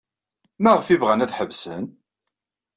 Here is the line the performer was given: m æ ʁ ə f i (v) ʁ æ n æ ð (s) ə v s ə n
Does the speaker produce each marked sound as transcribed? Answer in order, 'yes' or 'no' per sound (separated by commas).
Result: yes, no